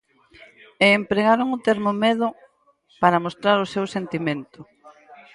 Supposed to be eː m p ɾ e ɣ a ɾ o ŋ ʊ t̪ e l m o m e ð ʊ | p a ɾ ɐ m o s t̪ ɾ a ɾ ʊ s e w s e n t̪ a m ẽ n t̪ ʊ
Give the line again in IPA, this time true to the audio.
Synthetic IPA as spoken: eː m p ɾ e ɣ a ɾ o ŋ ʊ t̪ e ɾ m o m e ð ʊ | p a ɾ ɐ m o s t̪ ɾ a ɾ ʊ s e w s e n t̪ i m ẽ n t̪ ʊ